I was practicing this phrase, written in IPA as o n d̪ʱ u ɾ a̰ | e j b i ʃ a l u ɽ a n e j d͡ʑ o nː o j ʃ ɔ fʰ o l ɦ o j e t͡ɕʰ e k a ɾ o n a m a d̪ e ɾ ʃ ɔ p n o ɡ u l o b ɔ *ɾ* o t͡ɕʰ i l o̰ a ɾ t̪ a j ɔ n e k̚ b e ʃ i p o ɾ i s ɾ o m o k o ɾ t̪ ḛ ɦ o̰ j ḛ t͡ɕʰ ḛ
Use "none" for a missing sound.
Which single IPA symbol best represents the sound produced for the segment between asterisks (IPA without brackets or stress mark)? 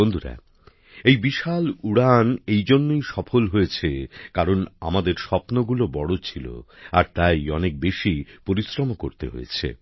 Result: ɽ